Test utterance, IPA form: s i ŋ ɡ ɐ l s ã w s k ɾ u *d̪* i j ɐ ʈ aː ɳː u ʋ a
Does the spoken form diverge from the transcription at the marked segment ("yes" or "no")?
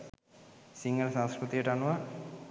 yes